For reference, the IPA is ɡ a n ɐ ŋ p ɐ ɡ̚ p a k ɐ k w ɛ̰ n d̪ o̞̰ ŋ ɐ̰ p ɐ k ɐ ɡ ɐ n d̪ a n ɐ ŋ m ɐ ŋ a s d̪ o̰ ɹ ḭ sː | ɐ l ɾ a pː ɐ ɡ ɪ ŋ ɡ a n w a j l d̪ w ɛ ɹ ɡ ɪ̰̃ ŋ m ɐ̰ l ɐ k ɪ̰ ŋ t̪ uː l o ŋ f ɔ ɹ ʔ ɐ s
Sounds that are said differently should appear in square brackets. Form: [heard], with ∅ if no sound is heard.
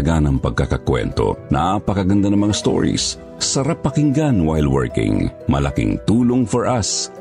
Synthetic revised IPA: ɡ a n ɐ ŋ p ɐ ɡ̚ [k] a k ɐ k w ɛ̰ n [t̪] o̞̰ [n] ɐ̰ p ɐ k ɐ ɡ ɐ n d̪ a n ɐ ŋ m ɐ ŋ a s [t̪] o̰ ɹ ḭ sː | ɐ [∅] ɾ a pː ɐ [k] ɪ ŋ ɡ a n w a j l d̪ w ɛ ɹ [k] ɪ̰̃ ŋ m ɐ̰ l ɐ k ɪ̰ ŋ t̪ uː l o ŋ f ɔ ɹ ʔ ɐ s